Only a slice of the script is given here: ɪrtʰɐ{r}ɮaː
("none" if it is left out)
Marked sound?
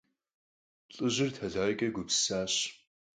none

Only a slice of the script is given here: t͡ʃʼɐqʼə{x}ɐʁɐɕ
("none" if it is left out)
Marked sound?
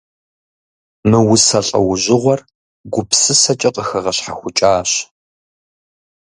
x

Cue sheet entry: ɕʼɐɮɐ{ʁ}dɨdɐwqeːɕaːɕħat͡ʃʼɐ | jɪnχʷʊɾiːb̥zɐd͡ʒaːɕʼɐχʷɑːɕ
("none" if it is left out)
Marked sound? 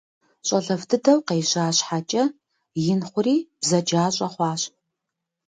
v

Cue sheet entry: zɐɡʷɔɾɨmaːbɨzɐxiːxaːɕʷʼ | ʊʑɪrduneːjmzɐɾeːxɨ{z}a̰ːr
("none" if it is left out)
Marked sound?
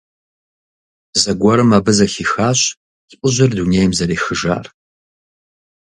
ʒ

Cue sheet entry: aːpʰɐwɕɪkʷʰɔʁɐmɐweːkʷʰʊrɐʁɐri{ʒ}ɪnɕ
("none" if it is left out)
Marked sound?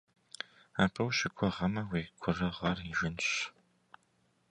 ʒ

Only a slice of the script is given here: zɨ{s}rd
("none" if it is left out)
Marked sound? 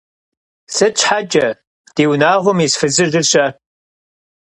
none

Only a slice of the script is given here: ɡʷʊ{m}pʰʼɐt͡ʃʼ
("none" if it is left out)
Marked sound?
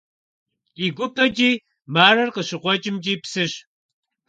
none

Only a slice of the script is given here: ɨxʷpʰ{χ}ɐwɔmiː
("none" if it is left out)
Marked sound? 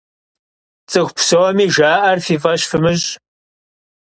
s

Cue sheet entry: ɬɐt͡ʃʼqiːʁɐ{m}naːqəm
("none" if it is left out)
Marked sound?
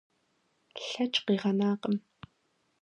none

